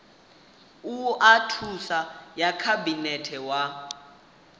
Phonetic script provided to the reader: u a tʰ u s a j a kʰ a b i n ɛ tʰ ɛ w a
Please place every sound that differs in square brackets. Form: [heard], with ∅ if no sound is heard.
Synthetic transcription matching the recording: u a tʰ u s a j a kʰ a b i n ɛ tʰ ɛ w a